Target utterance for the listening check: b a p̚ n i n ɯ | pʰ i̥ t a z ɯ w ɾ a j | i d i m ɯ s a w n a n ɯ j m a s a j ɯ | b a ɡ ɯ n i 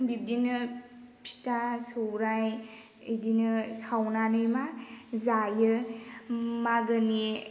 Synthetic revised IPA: b i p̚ d i n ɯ | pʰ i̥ t a s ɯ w ɾ a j | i d i n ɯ s a w n a n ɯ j m a z a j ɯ | m a ɡ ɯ n i